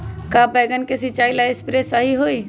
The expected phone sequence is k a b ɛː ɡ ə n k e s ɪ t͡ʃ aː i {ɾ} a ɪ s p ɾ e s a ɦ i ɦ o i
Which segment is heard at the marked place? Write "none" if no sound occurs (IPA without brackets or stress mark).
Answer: l